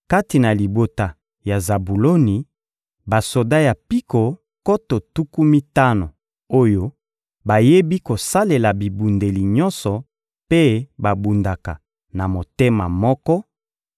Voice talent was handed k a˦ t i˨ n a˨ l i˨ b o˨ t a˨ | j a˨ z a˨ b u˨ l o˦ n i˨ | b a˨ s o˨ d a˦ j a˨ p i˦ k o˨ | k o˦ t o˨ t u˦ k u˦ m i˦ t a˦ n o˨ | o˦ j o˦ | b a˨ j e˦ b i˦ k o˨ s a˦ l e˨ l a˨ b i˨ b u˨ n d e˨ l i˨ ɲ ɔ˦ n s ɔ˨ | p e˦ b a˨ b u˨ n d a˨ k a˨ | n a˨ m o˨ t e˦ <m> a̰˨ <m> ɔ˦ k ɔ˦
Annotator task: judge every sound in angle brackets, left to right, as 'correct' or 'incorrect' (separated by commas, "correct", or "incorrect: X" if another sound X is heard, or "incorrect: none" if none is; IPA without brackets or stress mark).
correct, correct